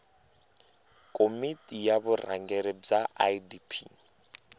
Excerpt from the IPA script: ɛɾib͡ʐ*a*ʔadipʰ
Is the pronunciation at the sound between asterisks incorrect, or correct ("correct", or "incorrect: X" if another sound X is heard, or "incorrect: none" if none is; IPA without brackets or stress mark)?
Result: correct